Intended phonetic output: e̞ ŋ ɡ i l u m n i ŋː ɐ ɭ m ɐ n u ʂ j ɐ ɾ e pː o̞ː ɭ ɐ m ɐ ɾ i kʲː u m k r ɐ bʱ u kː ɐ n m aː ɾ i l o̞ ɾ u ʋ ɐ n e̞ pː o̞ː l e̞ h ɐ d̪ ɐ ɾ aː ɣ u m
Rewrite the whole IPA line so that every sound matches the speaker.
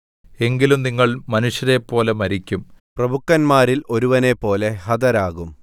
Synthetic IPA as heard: e̞ ŋ ɡ i l u m n i ŋː ɐ ɭ m ɐ n u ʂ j ɐ ɾ e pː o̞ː l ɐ m ɐ ɾ i kʲː u m p r ɐ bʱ u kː ɐ n m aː ɾ i l o̞ ɾ u ʋ ɐ n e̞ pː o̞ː l e̞ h ɐ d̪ ɐ ɾ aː ɣ u m